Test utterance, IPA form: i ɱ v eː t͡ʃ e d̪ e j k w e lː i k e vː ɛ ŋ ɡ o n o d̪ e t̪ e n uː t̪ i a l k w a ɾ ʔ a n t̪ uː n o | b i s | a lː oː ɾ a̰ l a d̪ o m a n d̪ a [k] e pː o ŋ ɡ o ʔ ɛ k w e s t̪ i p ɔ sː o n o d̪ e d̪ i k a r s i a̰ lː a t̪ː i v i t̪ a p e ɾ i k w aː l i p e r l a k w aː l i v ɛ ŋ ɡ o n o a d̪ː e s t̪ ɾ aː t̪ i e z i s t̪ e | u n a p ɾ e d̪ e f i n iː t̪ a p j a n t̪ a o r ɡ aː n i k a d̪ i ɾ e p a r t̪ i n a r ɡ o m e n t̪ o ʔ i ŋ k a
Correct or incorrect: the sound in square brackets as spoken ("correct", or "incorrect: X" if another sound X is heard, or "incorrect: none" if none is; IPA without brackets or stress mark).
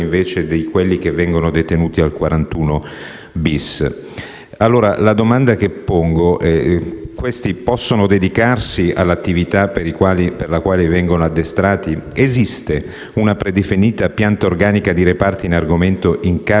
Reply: correct